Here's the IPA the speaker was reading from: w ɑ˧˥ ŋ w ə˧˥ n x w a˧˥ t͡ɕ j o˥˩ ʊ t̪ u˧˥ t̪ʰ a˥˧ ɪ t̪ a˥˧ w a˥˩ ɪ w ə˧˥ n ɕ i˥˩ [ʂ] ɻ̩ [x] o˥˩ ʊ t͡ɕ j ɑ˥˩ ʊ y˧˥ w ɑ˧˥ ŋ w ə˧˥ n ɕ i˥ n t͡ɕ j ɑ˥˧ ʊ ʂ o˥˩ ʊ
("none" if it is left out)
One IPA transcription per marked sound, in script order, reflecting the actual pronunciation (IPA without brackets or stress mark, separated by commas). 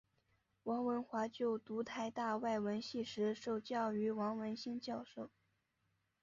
ʂ, ʂ